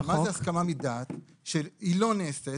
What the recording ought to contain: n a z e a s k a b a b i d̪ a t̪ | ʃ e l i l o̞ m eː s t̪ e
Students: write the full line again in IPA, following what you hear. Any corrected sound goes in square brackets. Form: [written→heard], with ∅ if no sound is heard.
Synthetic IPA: [n→m] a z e a s k a [b→m] a [b→m] i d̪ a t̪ | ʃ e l i l o̞ [m→n] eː s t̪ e